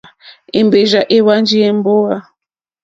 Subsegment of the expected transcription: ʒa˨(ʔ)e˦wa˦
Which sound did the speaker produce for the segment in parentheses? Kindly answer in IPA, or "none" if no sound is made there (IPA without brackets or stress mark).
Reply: ʔ